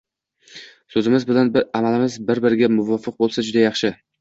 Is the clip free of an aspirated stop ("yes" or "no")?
yes